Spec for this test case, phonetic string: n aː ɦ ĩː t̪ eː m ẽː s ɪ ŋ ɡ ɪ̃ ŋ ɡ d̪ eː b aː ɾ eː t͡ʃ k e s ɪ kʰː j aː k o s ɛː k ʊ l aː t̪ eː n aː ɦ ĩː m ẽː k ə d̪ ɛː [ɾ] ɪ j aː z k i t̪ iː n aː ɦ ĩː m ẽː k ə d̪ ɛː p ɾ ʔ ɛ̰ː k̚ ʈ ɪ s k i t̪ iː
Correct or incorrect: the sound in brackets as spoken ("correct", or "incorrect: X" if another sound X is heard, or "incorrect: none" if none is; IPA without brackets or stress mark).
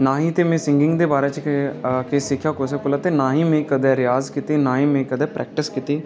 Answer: correct